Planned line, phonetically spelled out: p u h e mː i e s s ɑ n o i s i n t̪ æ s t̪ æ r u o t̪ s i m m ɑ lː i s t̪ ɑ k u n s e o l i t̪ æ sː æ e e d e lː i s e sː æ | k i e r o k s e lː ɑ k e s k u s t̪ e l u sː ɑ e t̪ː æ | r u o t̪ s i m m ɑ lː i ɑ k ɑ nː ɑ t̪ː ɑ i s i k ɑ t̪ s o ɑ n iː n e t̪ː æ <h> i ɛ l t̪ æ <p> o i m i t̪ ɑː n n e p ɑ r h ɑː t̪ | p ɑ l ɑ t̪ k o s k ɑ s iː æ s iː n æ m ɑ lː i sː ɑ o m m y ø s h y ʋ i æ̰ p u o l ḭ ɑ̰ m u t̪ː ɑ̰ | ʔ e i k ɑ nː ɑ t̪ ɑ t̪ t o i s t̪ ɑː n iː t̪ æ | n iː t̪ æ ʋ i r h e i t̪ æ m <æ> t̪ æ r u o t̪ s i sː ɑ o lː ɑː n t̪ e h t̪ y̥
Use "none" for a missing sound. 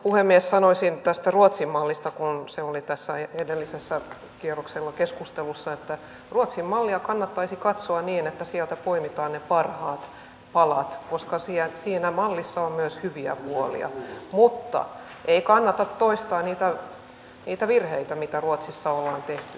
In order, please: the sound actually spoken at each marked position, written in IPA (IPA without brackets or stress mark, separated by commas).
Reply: s, p, i